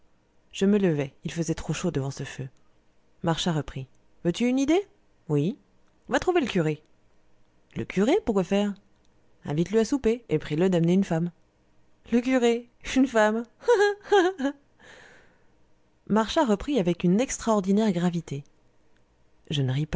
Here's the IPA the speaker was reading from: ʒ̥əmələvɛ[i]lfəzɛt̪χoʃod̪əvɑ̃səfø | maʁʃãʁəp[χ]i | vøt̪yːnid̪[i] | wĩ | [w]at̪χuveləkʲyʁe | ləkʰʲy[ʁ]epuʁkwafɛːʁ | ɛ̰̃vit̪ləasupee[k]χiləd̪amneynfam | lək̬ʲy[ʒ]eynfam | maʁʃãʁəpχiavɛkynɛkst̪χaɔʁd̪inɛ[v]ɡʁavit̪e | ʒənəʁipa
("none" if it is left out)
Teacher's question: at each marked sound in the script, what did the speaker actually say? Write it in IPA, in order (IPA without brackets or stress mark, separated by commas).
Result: i, χ, e, v, ʁ, p, ʁ, ʁ